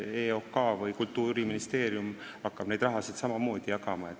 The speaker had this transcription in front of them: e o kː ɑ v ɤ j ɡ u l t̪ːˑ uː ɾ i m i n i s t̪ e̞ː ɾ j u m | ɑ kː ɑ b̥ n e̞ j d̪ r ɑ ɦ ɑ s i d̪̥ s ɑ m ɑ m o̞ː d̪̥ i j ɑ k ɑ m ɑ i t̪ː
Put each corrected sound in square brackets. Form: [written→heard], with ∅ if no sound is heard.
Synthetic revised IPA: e o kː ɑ v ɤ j [ɡ→k] u l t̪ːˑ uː ɾ i m i n i s t̪ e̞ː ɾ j u m | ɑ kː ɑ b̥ n e̞ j d̪ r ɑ ɦ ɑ s i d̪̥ s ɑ m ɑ m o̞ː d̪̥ i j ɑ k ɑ m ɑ [i→e] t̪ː